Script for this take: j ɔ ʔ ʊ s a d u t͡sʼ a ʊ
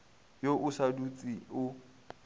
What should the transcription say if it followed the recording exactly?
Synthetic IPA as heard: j o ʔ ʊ s a d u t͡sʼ i ʊ